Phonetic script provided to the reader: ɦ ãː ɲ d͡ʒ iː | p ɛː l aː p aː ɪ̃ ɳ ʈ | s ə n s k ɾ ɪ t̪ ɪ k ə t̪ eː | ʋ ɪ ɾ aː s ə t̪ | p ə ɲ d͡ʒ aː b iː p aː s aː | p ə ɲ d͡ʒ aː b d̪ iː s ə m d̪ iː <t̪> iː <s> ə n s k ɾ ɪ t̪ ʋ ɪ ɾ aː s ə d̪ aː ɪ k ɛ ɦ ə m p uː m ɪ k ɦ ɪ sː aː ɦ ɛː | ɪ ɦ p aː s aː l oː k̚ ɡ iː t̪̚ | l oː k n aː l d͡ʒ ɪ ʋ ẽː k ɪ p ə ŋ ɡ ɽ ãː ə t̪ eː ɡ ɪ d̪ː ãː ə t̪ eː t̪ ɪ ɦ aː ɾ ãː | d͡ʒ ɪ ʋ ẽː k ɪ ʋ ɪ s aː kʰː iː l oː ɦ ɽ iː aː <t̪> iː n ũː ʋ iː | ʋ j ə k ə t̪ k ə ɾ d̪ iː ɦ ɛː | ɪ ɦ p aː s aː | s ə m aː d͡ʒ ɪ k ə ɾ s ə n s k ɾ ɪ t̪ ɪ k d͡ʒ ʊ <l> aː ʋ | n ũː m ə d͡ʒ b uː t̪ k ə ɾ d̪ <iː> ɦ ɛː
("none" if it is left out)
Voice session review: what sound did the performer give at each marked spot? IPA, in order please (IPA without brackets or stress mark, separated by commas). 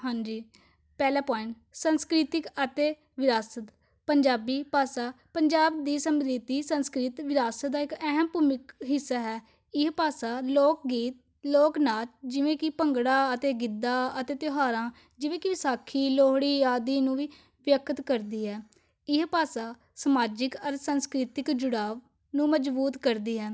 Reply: t̪, s, d̪, ɽ, iː